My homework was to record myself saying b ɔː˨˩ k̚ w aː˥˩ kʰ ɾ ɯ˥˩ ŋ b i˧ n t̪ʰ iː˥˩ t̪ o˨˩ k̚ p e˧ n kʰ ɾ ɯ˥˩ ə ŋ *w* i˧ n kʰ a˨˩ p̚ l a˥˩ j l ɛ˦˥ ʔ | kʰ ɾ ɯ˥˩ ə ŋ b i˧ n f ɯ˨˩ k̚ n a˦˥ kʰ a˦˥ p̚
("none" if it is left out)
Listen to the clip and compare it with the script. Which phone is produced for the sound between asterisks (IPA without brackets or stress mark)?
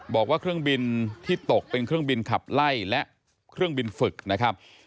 b